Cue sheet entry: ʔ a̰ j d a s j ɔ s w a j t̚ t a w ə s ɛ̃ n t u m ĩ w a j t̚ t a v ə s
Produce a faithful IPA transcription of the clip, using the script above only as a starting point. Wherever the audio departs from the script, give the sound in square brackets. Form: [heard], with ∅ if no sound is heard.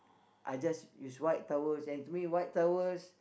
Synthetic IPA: ʔ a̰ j [d͡ʒ] a s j [u] s w a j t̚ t a w ə s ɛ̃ n t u m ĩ w a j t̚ t a [w] ə s